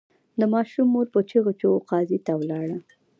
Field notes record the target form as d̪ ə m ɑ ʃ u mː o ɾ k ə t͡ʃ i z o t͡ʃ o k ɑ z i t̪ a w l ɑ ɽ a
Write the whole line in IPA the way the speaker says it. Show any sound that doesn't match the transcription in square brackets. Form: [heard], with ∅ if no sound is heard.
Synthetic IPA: d̪ ə m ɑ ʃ u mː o ɾ [p] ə t͡ʃ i [ɣ] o t͡ʃ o [q] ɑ z i t̪ a w l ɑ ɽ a